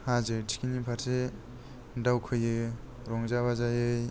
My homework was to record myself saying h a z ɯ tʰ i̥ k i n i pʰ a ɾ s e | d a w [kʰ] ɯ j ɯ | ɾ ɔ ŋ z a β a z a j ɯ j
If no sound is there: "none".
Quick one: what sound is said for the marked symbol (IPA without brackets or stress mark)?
kʰ